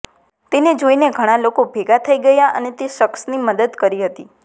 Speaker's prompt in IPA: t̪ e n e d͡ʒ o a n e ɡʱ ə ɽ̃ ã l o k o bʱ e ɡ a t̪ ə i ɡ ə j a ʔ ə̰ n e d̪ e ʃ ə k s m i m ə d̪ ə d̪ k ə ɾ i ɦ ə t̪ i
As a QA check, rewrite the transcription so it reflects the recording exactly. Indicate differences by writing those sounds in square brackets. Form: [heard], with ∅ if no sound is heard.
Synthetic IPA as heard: t̪ e n e d͡ʒ o [i] n e ɡʱ ə ɽ̃ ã l o k o bʱ e ɡ a [t̪ʰ] ə i ɡ ə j a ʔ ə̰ n e [t̪] e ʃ ə k s [n] i m ə d̪ ə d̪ k ə ɾ i ɦ ə t̪ i